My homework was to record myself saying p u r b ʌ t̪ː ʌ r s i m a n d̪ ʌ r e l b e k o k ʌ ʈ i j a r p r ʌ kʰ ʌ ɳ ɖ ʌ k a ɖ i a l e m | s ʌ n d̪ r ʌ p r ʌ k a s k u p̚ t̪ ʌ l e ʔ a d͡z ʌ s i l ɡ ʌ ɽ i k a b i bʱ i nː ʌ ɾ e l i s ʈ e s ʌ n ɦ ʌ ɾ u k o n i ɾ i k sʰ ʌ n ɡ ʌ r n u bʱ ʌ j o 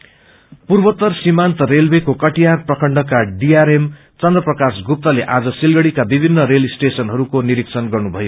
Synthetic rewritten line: p u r b ʌ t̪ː ʌ r s i m a n t̪ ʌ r e l b e k o k ʌ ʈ i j a r p r ʌ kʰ ʌ ɳ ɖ ʌ k a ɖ i a ɾ e m | t͡s ʌ n d̪ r ʌ p r ʌ k a s ɡ u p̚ t̪ ʌ l e ʔ a d͡z ʌ s i l ɡ ʌ ɽ i k a b i bʱ i nː ʌ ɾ e l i s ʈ e s ʌ n ɦ ʌ ɾ u k o n i ɾ i k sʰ ʌ n ɡ ʌ r n u bʱ ʌ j o